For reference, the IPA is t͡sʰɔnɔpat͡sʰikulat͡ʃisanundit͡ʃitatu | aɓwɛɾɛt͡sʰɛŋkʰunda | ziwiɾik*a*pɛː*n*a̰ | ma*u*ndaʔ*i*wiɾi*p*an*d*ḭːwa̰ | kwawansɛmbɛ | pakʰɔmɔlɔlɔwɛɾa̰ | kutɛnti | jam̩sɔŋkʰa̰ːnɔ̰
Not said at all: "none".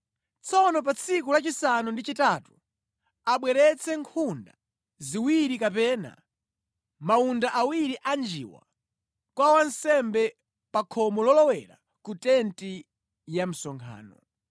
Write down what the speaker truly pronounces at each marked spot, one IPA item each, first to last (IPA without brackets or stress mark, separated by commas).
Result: a, n, u, a, ʔ, d͡ʒ